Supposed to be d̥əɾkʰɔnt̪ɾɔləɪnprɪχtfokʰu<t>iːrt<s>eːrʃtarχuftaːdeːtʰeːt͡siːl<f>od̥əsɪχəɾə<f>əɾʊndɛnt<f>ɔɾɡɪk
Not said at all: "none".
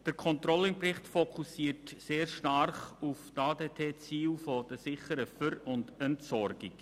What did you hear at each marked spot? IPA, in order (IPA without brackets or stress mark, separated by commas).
s, s, f, f, s